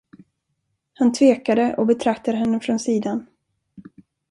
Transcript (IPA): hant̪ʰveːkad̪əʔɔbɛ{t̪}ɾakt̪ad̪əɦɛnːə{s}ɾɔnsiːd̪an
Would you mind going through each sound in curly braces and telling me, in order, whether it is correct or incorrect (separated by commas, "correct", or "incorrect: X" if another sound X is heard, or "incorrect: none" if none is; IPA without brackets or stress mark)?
incorrect: t̪ʰ, incorrect: f